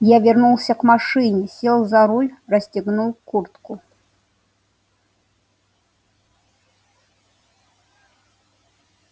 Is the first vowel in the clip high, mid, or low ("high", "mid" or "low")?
low